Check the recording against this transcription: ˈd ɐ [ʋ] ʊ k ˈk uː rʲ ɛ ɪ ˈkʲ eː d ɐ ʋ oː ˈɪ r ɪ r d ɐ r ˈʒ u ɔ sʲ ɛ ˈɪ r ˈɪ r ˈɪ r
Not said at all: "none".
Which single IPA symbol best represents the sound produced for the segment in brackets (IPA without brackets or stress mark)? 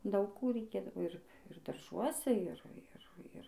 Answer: none